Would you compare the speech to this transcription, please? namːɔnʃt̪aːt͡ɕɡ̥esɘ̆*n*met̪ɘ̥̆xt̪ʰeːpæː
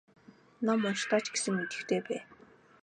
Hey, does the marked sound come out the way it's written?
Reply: no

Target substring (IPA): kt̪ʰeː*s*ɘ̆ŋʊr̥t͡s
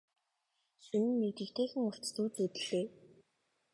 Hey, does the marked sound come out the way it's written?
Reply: no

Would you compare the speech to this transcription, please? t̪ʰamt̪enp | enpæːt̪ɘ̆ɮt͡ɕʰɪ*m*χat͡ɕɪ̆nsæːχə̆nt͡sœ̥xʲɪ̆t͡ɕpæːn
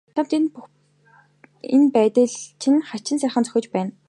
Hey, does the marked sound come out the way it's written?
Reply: no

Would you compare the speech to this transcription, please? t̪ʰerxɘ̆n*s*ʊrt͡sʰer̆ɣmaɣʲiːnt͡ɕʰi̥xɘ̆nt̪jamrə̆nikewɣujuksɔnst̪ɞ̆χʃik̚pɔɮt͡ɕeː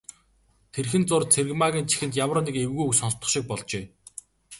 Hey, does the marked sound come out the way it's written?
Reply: no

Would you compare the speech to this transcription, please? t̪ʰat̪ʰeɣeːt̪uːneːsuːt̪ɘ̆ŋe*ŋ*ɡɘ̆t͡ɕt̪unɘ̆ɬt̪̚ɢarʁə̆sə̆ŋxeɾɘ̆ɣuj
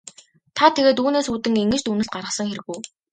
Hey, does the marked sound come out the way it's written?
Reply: yes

